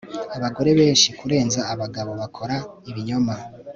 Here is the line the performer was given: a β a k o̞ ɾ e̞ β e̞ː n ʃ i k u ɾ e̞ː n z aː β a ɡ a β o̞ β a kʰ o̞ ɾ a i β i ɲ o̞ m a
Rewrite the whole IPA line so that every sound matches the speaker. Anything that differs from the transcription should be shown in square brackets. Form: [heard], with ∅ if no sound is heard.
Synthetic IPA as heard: a β a [ɡ] o̞ ɾ e̞ β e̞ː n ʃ i k u ɾ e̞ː n z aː β a ɡ a β o̞ β a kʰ o̞ ɾ a i β i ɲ o̞ m a